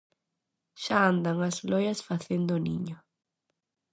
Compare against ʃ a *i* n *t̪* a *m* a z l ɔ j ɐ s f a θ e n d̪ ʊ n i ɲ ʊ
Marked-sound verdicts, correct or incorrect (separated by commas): incorrect, incorrect, incorrect